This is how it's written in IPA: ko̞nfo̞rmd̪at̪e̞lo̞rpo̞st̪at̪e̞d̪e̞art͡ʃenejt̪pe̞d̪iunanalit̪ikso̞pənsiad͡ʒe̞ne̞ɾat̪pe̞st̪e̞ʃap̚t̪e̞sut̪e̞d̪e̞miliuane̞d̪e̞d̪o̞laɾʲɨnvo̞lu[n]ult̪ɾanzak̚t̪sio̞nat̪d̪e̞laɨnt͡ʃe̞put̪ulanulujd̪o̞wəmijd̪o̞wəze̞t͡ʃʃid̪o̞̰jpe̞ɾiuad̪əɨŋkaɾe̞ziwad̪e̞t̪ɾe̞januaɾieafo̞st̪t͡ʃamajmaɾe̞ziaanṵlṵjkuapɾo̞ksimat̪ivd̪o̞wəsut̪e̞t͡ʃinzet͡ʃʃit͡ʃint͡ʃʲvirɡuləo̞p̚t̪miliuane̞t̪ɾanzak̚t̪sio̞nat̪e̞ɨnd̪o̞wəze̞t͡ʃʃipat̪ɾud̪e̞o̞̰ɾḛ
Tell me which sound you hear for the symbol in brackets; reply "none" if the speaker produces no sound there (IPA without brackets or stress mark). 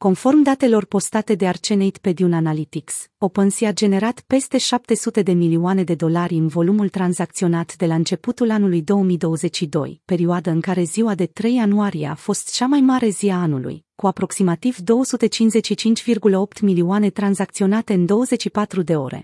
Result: m